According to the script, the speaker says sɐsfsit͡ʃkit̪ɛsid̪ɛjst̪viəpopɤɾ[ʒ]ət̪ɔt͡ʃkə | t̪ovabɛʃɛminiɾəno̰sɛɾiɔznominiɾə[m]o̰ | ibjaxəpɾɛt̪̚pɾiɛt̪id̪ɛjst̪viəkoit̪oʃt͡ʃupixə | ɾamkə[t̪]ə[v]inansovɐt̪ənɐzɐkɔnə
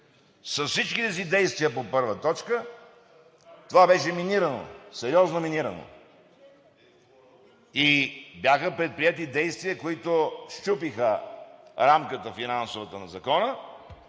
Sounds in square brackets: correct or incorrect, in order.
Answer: incorrect, incorrect, correct, incorrect

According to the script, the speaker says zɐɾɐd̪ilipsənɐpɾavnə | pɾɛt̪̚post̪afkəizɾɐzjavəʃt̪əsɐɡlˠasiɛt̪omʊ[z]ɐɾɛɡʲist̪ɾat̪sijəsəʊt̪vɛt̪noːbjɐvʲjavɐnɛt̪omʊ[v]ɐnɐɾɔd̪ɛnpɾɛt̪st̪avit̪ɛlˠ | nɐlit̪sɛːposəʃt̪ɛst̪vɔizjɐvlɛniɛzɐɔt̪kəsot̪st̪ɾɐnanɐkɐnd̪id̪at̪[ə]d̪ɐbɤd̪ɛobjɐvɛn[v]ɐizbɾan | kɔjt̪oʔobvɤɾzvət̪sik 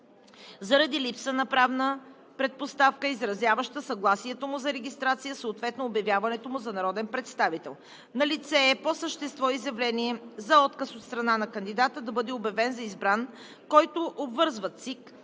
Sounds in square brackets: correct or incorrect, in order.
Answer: correct, incorrect, correct, incorrect

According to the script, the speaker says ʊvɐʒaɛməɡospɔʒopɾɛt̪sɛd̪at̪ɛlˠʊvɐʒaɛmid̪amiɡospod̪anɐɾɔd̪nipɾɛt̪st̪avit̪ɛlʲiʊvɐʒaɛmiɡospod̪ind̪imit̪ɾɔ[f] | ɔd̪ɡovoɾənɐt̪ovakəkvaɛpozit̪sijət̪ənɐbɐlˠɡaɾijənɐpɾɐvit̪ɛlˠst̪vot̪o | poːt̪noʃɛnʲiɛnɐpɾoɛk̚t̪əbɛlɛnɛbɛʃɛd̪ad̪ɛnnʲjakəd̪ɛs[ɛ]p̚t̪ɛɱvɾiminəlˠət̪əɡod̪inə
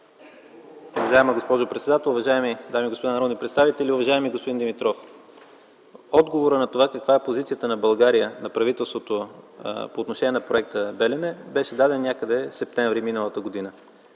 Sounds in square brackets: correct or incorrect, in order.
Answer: correct, correct

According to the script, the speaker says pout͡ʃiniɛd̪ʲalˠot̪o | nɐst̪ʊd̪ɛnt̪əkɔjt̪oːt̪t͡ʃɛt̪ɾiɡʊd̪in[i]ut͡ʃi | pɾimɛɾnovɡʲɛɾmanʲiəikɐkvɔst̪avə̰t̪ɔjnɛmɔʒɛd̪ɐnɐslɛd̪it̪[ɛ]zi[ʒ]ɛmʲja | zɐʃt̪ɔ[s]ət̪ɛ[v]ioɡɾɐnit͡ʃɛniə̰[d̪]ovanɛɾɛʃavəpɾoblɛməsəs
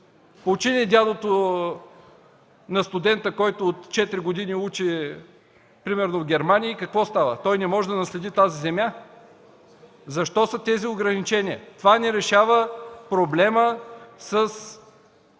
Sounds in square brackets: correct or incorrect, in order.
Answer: correct, incorrect, incorrect, correct, incorrect, incorrect

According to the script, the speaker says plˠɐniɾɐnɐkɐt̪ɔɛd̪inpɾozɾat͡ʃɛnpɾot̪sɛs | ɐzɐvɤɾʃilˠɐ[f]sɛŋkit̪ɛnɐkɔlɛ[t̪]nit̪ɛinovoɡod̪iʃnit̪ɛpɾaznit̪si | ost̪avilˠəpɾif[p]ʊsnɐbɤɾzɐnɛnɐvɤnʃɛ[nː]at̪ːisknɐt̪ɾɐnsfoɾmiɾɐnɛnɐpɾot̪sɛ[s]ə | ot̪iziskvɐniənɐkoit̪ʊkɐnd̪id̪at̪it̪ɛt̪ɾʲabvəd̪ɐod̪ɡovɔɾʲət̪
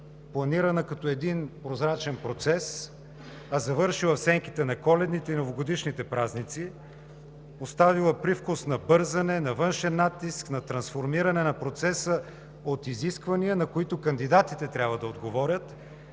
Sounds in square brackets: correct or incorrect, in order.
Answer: correct, incorrect, incorrect, correct, correct

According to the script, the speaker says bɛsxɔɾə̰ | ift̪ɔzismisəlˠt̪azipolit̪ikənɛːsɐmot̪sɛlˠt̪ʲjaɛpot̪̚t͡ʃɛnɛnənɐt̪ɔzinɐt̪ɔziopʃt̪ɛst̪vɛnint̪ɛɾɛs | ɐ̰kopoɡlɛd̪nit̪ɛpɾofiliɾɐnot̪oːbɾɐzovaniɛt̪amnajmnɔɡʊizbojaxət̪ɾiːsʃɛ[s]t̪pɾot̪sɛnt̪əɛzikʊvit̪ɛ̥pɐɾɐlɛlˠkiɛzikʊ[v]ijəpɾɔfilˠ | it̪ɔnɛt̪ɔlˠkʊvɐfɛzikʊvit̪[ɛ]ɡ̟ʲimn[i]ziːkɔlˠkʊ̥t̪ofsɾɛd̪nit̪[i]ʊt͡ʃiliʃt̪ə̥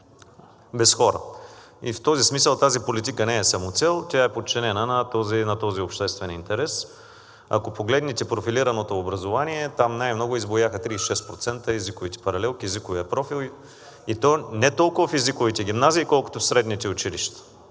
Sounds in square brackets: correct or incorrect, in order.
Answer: correct, correct, correct, incorrect, incorrect

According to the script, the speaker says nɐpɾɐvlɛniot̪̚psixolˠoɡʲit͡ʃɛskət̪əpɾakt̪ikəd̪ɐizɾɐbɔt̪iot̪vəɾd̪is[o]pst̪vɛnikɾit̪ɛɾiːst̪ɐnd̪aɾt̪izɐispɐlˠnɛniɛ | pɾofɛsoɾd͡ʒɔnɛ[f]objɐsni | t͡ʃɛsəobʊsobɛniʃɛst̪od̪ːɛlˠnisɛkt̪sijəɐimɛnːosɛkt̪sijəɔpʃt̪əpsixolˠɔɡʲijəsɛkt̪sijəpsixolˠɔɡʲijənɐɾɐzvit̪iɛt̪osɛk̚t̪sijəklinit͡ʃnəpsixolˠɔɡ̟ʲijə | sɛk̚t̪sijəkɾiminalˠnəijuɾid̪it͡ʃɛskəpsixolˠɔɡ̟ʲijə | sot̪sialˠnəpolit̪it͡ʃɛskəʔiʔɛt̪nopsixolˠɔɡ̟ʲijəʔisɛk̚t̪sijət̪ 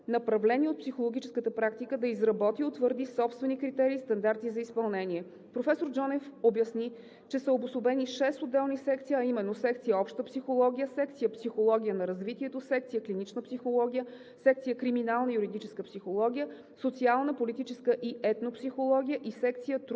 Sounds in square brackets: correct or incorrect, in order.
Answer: incorrect, correct

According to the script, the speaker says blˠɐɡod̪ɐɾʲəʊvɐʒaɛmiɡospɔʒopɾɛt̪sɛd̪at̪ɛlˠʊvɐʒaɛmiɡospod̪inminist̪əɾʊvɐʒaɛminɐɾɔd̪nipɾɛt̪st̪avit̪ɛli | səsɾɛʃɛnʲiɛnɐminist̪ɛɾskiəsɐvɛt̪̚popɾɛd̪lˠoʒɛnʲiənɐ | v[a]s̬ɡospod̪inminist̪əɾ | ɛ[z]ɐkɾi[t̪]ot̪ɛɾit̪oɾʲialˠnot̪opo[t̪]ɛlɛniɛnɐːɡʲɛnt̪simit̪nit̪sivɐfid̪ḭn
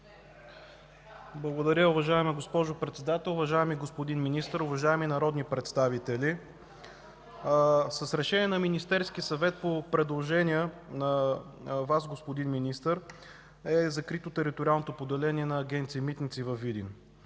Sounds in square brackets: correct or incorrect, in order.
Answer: correct, correct, correct, incorrect

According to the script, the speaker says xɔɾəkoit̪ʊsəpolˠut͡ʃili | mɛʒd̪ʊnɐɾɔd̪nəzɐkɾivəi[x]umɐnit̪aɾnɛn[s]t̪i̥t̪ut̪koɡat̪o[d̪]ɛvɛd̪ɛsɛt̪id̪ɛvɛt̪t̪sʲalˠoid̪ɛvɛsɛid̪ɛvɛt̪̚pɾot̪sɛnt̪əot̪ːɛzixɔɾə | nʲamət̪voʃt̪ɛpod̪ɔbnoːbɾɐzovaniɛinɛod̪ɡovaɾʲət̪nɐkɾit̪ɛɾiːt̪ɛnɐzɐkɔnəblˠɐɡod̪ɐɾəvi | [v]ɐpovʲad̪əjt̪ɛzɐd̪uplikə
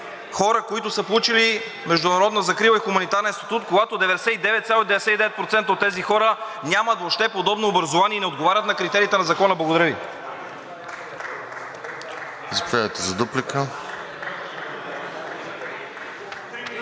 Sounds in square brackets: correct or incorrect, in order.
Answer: correct, correct, correct, incorrect

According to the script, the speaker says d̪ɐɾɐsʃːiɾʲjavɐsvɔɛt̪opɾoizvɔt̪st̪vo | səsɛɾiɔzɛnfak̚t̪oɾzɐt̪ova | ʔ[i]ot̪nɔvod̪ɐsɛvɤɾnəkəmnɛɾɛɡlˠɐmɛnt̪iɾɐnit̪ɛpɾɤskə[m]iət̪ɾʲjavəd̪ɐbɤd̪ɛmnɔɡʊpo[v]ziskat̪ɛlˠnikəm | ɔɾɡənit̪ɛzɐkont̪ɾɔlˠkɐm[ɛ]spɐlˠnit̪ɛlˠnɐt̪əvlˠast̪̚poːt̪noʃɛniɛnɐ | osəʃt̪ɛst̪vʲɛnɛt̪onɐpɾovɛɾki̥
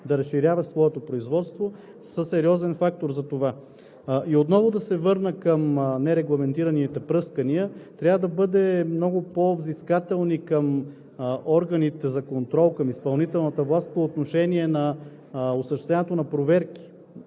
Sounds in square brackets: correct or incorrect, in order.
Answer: correct, incorrect, correct, incorrect

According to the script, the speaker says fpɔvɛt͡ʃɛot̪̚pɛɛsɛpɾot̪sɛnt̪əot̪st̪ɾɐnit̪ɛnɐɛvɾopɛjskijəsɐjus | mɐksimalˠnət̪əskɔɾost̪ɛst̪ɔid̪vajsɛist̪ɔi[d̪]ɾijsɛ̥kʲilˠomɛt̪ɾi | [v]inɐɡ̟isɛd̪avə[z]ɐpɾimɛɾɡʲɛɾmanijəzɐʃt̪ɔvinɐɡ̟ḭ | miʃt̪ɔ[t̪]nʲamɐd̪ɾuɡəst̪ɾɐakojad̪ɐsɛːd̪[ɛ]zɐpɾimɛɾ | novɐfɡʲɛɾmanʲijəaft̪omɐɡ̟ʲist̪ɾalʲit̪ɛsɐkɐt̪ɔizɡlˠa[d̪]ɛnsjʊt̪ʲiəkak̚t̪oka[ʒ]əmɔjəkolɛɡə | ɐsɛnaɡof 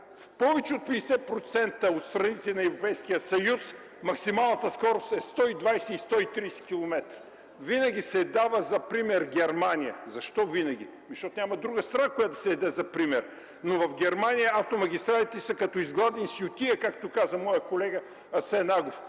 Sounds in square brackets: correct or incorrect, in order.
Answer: incorrect, correct, correct, correct, correct, correct, incorrect

